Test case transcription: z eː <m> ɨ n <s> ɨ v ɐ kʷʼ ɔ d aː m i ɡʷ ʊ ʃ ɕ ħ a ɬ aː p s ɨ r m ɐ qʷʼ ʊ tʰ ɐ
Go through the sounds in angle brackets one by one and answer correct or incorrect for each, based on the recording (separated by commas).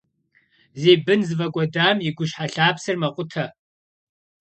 incorrect, incorrect